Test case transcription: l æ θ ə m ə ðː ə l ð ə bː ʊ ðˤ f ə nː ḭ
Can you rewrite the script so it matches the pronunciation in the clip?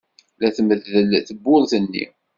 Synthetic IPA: l æ θ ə m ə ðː ə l θ ə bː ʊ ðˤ θ ə nː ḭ